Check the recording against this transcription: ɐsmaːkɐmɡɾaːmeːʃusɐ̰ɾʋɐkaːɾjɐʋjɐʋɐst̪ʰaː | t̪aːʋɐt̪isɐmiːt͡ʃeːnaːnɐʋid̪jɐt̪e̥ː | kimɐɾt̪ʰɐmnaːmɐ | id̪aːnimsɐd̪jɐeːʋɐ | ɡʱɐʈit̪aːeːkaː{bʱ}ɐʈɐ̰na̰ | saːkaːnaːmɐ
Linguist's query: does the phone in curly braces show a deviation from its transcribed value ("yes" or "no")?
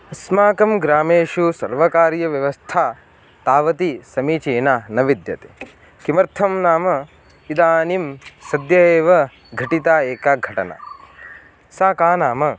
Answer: yes